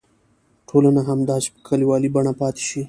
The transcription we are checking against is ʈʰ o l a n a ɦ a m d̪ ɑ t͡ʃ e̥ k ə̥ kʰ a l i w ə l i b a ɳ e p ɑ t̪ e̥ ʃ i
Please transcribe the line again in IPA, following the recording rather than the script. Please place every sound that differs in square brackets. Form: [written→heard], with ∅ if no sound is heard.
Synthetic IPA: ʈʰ o l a n a ɦ a m d̪ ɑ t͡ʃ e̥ [k→p] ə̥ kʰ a l i w [ə→ɑ] l i b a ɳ [e→a] p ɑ t̪ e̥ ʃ i